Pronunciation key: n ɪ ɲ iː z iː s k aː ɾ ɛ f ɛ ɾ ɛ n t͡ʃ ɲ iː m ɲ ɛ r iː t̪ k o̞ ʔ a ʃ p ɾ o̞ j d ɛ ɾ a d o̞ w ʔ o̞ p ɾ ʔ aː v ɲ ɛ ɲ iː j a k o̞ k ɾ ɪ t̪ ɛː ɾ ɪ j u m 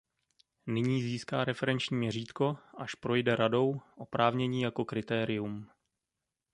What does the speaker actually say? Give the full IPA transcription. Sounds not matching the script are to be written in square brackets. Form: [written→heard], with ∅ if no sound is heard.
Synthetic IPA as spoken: n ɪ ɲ iː z iː s k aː ɾ ɛ f ɛ ɾ ɛ n t͡ʃ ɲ iː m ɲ ɛ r iː t̪ k o̞ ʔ a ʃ p ɾ o̞ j d ɛ ɾ a d o̞ w ʔ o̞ p ɾ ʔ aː v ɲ ɛ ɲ iː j a k o̞ k ɾ ɪ t̪ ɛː ɾ ɪ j u m